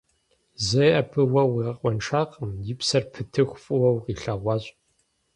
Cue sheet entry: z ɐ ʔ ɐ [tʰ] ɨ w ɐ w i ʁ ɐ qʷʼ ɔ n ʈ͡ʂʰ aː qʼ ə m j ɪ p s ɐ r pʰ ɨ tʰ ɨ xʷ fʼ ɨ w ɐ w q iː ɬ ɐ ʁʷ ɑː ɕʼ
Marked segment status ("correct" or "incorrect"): incorrect